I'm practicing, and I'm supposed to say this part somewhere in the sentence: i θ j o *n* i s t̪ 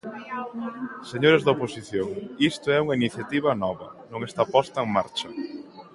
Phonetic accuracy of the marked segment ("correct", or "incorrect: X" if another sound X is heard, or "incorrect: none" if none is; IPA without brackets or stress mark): incorrect: ŋ